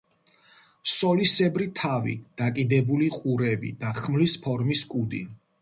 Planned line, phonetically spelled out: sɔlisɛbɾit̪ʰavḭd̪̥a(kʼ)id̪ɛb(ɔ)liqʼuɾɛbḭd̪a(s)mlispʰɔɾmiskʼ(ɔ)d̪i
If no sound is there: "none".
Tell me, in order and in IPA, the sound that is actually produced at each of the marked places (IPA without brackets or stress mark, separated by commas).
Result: kʼ, u, χ, u